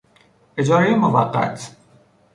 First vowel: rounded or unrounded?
unrounded